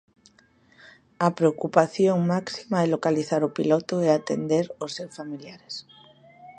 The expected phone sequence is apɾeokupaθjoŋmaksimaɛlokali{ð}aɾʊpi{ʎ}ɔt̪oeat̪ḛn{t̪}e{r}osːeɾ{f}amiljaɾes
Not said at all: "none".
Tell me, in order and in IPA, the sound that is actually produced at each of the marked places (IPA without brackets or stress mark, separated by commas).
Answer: θ, l, d̪, ɾ, f